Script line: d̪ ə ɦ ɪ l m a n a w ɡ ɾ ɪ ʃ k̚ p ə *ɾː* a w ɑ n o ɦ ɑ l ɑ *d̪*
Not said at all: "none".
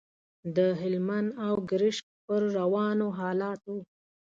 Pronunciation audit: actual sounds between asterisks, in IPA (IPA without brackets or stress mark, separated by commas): ɾː, t̪